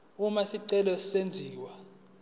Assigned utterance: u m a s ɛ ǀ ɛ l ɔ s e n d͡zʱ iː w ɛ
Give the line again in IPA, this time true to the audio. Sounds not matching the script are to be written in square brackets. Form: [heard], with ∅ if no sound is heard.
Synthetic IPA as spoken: u m a s [i] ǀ ɛ l ɔ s e n d͡zʱ iː w [a]